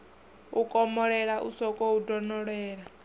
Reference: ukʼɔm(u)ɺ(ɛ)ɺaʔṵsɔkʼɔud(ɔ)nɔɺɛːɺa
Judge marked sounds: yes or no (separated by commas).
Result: no, yes, yes